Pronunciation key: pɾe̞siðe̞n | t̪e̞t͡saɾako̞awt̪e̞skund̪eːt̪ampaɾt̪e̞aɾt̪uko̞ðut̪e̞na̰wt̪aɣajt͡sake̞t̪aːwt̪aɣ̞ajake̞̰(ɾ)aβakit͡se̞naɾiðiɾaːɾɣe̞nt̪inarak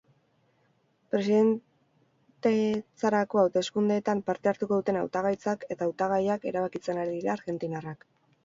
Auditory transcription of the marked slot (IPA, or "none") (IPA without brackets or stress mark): ɾ